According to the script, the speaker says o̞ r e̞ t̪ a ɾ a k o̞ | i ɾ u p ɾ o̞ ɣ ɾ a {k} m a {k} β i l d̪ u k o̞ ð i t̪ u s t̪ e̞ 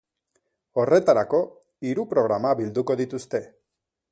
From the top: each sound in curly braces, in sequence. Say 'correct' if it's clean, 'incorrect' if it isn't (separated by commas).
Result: incorrect, incorrect